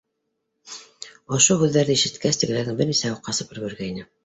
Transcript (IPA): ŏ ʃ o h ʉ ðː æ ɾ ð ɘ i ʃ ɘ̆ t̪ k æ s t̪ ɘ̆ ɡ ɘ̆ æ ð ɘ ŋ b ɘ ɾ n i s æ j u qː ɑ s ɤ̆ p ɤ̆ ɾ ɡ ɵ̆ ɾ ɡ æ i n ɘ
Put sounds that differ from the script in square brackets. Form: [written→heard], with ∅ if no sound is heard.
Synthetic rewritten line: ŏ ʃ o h ʉ ðː æ ɾ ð ɘ i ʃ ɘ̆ t̪ k æ s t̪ ɘ̆ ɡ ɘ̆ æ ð ɘ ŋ b ɘ ɾ n i s æ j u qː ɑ s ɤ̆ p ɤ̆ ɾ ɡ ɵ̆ ɾ ɡ æ i n ɘ